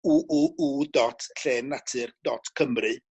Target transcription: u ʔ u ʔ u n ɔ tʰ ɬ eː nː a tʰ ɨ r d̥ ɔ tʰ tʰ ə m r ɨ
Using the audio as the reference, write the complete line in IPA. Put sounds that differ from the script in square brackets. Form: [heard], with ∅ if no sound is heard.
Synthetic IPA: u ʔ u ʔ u [d] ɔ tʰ ɬ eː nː a tʰ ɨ r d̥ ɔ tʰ [kʰ] ə m r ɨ